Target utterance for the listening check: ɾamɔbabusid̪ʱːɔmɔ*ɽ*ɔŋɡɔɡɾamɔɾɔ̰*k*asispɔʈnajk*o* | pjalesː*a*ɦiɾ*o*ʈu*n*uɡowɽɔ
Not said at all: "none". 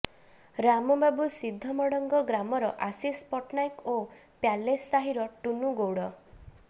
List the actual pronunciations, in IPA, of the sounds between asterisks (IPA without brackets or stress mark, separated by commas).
ɽ, ʔ, o, a, ɔ, n